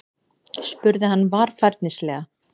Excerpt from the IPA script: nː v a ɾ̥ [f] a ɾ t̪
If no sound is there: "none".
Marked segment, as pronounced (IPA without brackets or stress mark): f